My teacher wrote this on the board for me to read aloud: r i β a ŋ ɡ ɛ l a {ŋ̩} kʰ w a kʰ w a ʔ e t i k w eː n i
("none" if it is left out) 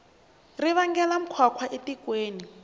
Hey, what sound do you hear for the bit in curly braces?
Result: m̩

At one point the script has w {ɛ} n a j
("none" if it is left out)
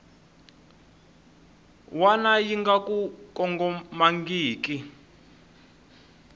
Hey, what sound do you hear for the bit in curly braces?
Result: a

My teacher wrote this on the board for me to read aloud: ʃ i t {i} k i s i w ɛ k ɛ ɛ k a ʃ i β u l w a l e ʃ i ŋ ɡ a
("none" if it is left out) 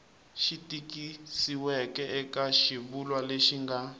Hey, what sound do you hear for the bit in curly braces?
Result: i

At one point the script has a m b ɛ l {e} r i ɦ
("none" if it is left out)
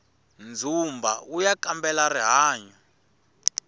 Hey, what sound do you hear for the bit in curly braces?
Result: a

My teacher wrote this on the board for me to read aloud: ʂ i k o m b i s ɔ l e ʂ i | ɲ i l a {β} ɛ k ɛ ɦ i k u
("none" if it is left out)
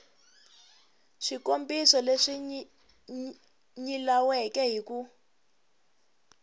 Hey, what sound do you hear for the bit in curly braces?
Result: w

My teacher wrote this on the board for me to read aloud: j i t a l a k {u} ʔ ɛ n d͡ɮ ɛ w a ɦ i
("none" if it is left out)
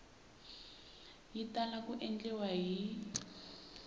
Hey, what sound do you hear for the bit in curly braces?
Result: u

